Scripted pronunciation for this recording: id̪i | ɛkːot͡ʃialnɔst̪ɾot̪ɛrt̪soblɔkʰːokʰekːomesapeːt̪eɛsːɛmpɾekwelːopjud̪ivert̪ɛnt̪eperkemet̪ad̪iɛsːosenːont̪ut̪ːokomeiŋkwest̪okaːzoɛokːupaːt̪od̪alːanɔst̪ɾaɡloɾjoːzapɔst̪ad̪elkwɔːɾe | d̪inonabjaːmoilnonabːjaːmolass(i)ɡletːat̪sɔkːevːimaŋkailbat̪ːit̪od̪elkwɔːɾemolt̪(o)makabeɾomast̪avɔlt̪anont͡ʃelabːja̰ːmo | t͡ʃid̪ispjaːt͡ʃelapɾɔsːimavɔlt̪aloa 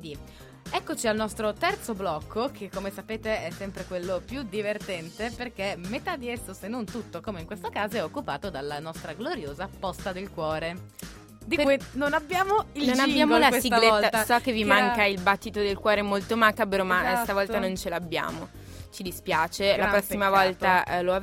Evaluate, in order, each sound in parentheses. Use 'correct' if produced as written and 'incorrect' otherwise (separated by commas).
correct, correct